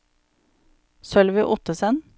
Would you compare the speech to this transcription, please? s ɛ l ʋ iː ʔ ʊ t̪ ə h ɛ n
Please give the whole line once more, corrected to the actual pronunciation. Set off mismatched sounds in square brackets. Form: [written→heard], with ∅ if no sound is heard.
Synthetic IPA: s [ɛ→œ] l ʋ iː ʔ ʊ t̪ ə [h→s] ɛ n